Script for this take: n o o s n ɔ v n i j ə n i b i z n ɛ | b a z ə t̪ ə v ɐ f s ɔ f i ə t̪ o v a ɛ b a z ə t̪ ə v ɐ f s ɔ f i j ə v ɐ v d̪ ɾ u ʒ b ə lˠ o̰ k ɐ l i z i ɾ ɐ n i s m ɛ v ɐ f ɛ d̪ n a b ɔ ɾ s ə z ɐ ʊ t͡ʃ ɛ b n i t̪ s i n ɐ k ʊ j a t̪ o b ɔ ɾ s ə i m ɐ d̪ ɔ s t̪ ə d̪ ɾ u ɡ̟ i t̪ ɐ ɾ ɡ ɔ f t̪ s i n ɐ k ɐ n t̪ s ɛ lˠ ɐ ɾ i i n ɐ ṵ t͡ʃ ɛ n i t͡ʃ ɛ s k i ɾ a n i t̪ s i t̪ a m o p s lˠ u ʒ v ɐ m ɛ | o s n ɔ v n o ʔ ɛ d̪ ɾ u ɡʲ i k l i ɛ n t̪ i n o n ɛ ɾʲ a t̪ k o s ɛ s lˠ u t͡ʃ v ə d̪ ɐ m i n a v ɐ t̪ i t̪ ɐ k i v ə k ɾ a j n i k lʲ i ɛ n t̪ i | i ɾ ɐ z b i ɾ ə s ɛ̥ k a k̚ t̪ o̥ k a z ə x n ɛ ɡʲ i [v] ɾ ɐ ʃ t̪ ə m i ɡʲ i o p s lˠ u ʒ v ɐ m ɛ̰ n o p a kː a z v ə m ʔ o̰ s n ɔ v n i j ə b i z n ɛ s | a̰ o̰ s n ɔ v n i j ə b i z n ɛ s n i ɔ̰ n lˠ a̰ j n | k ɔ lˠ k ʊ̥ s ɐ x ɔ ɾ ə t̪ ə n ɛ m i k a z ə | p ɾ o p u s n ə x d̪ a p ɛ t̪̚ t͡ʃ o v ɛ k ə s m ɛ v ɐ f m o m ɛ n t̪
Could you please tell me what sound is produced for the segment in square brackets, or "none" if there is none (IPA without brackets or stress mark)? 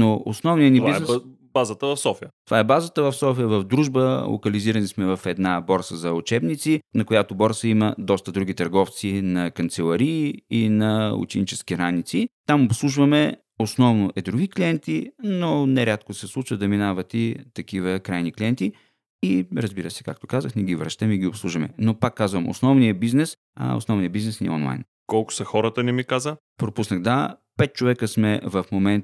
v